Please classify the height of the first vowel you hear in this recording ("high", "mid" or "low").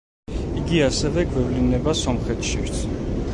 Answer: high